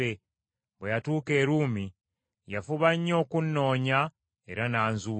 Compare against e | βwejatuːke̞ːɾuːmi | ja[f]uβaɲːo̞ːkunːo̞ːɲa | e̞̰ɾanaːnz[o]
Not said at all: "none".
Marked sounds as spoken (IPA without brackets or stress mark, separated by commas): f, u